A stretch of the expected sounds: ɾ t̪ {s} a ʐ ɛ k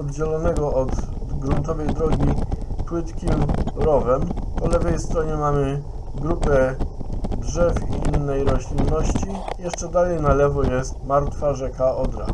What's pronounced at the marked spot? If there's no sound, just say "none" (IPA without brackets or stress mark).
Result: f